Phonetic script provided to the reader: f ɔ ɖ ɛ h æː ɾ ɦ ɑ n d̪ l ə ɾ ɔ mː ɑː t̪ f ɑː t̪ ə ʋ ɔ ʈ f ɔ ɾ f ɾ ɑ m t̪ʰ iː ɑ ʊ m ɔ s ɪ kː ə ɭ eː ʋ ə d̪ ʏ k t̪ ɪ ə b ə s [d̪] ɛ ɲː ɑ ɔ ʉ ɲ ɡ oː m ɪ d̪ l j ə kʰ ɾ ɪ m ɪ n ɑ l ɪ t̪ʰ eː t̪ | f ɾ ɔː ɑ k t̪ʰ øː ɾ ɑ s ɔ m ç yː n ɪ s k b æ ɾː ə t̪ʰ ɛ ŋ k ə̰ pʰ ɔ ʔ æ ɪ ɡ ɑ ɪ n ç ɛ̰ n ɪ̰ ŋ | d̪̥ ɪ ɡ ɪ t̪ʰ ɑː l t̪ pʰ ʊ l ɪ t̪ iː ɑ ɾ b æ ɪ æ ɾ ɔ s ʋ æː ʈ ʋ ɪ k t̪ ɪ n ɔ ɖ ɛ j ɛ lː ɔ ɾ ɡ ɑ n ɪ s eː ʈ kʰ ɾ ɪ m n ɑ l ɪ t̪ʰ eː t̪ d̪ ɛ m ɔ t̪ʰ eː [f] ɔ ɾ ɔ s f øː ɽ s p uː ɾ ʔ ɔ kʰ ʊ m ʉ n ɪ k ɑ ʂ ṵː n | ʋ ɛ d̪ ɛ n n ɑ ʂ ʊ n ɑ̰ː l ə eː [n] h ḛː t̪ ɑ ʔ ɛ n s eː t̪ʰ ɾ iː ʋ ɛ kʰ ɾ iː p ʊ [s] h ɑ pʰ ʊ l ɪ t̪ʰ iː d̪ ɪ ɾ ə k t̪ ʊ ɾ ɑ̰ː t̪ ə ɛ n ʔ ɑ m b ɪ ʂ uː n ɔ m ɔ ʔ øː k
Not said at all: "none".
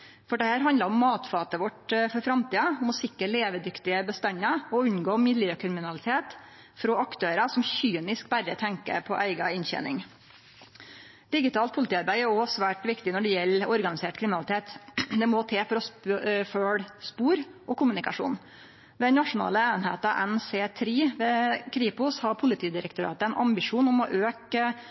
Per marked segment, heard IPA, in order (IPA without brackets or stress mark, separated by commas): t̪, f, n, s